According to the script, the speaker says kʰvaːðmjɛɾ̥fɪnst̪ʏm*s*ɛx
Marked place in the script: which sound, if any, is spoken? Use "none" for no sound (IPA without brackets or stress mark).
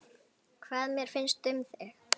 θ